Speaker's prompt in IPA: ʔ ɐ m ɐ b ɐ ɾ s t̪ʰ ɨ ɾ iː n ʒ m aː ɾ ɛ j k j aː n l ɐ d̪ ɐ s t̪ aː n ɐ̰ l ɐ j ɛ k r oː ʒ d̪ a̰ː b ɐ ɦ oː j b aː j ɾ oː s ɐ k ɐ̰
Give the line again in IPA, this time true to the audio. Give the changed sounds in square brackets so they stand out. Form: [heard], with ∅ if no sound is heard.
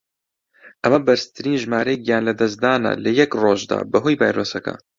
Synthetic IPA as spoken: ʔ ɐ m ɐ b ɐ ɾ s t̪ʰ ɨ ɾ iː n ʒ m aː ɾ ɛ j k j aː n l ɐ d̪ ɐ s [d̪] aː n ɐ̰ l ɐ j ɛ k r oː ʒ d̪ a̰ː b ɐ ɦ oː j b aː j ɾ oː s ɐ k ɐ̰